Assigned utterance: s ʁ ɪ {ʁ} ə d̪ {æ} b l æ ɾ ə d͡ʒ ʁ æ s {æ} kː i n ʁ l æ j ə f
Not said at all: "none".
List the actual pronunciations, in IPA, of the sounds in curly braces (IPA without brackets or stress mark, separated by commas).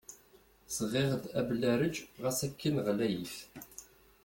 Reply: ʁ, æ, æ